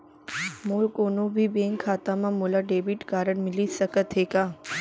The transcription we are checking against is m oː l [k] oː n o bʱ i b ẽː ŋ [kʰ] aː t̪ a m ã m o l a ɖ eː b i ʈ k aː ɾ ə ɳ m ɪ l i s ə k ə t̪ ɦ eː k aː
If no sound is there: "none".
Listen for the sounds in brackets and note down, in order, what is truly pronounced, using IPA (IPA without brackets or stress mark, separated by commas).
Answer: k, kʰ